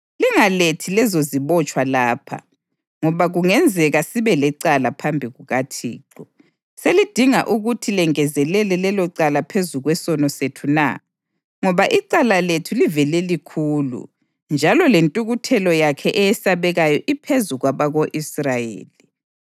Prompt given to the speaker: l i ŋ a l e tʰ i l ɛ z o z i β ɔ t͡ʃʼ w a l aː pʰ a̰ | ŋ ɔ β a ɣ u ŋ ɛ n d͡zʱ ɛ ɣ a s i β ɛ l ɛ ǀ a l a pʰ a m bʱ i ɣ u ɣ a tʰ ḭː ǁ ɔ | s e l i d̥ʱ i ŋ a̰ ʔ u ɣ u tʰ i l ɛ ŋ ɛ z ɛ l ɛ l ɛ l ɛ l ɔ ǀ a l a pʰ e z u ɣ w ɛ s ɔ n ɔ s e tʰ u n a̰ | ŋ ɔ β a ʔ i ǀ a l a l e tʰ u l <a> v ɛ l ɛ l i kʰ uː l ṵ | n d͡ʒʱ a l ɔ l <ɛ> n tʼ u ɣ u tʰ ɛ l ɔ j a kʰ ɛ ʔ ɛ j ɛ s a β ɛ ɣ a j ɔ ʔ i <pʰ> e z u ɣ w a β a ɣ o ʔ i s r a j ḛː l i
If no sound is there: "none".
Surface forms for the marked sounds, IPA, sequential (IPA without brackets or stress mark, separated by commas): i, e, pʰ